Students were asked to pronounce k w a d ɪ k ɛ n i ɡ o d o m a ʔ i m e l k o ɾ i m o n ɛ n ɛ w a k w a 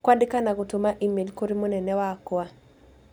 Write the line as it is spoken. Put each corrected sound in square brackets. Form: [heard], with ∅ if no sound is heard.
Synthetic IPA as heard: k w a d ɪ k [a] n [a] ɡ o [t] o m a ʔ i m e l k o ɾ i m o n ɛ n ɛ w a k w a